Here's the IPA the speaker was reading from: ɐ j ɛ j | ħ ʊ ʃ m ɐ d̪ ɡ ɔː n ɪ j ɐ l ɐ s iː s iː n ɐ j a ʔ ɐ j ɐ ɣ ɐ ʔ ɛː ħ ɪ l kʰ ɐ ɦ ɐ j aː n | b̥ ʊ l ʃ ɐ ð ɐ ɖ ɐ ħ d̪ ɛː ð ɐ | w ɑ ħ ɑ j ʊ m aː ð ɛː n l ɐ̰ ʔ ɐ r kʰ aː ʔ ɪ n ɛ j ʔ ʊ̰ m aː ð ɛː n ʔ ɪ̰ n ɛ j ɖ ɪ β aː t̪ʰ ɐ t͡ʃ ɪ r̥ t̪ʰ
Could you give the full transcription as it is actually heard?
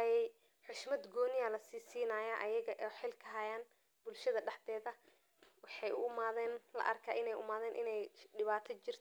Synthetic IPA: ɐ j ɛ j | ħ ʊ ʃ m ɐ d̪ ɡ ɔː n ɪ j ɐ l ɐ s iː s iː n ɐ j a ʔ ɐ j ɐ ɣ ɐ ʔ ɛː ħ ɪ l kʰ ɐ ɦ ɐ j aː n | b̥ ʊ l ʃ ɐ ð ɐ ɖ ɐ ħ d̪ ɛː ð ɐ | w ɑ ħ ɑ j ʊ m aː ð ɛː n l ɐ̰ ʔ ɐ r kʰ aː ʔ ɪ n ɛ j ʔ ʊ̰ m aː ð ɛː n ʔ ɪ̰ n ɛ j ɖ ɪ β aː t̪ʰ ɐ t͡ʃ ɪ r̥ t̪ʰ

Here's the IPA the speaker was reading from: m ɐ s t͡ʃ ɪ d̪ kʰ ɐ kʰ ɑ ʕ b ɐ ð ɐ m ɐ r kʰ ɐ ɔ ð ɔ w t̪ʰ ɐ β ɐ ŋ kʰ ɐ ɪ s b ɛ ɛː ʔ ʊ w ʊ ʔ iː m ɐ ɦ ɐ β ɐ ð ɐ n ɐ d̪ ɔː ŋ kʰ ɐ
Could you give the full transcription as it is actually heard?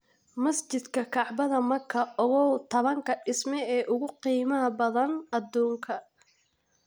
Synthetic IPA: m ɐ s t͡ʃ ɪ d̪ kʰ ɐ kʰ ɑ ʕ b ɐ ð ɐ m ɐ r kʰ ɐ ɔ ɣ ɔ w t̪ʰ ɐ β ɐ ŋ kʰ ɐ ɪ s m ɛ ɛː ʔ ʊ ɣ ʊ q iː m ɐ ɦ ɐ b ɐ ð ɐ n ɐ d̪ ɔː ŋ kʰ ɐ

